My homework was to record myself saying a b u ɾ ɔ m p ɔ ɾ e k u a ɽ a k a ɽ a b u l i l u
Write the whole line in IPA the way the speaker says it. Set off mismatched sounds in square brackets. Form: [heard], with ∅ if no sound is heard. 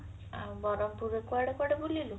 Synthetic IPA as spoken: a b [ɔ] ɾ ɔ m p [u] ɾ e k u a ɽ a k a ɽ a b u l i l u